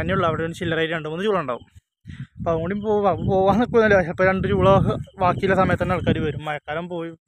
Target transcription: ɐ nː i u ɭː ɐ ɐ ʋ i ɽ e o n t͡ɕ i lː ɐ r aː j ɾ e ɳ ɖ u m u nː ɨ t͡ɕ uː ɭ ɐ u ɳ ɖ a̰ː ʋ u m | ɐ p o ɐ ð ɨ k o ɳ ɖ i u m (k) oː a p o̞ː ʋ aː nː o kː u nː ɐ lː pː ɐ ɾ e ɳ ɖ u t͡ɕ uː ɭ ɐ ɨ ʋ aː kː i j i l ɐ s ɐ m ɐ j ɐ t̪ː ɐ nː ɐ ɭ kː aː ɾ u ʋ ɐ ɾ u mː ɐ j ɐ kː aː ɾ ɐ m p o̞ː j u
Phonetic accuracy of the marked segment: incorrect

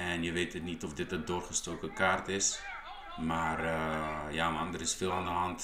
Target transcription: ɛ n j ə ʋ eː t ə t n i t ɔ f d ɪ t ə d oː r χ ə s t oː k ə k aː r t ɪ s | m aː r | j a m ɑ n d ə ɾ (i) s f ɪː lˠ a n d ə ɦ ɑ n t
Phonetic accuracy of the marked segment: incorrect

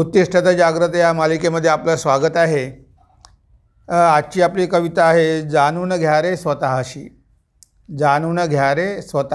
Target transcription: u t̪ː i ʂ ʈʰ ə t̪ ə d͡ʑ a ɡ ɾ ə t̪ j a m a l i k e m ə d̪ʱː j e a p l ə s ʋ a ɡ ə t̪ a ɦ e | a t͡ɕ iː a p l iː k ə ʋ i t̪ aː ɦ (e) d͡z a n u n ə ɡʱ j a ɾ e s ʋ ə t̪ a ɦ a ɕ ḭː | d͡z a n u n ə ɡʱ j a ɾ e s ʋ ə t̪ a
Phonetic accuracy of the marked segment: correct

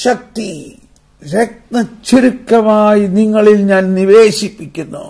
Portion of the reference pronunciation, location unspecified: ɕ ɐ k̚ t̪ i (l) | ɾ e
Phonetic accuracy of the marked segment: incorrect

